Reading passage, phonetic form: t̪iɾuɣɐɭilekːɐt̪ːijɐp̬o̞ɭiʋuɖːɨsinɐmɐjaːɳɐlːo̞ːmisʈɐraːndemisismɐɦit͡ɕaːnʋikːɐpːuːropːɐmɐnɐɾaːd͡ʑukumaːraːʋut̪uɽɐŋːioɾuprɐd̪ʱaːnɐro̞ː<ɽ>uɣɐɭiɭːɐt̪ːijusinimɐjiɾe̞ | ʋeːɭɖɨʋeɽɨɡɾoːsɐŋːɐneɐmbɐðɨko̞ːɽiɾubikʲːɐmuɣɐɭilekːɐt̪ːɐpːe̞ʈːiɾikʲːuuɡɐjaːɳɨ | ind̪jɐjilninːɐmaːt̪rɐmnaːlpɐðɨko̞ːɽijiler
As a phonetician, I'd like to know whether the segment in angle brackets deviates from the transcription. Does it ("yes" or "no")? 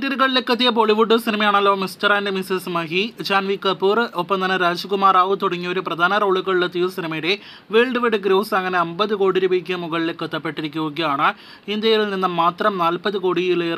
yes